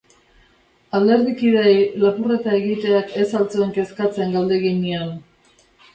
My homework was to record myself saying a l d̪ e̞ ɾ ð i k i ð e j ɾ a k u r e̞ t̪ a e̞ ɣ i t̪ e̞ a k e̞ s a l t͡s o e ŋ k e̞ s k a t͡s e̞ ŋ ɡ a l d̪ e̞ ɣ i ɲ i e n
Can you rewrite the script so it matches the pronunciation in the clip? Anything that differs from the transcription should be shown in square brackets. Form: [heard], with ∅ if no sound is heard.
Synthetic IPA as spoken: a l d̪ e̞ ɾ ð i k i ð e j [l] a [p] u r e̞ t̪ a e̞ ɣ i t̪ e̞ a k e̞ s a l t͡s o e ŋ k e̞ s k a t͡s e̞ ŋ ɡ a l d̪ e̞ ɣ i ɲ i [a] n